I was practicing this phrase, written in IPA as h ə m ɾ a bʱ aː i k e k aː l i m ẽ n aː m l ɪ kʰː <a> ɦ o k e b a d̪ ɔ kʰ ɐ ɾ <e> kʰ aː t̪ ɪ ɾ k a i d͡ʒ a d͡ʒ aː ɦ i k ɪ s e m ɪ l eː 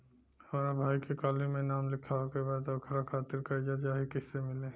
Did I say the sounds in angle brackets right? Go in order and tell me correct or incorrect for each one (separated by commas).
correct, incorrect